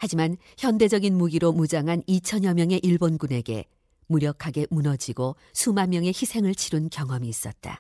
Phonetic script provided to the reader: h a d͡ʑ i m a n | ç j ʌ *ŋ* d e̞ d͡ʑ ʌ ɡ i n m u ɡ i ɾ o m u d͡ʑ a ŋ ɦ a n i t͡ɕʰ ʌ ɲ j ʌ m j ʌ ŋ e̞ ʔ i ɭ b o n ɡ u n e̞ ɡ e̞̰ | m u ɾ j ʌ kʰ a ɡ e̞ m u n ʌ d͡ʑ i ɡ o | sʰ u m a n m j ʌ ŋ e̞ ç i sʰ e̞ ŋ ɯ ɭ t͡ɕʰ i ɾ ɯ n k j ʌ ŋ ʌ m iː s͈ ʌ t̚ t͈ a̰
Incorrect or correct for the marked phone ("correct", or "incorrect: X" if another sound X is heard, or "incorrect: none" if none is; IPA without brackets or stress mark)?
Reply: incorrect: n